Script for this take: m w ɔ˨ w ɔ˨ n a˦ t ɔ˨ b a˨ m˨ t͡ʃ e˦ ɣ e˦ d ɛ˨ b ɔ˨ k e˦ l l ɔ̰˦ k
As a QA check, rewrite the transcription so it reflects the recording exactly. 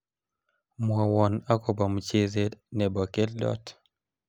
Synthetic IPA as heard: m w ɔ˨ w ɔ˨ n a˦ k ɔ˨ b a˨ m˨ t͡ʃ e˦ z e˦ n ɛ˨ b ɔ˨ k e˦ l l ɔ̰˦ t